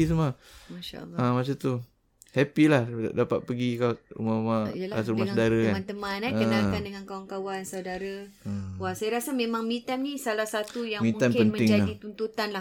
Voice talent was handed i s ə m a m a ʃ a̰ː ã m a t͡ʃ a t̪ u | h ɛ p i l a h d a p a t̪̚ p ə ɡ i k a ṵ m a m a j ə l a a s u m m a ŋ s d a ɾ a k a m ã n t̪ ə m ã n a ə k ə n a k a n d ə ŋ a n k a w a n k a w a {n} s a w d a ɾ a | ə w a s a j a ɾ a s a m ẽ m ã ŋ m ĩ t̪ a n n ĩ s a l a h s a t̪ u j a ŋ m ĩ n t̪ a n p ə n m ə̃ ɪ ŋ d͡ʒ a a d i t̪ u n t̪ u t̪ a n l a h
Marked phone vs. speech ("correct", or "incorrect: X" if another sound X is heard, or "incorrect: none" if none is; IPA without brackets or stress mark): correct